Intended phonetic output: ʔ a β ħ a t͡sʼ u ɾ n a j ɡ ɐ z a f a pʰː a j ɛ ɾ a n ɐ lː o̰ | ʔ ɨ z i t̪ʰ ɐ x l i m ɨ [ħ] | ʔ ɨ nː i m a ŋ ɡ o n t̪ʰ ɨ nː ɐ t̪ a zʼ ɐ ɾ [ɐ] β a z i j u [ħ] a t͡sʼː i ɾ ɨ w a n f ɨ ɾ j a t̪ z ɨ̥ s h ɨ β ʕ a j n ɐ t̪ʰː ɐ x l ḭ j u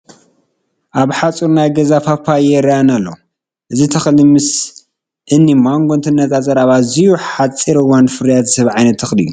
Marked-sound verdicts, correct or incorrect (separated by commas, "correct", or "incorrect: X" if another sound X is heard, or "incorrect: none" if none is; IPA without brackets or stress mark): incorrect: s, incorrect: a, correct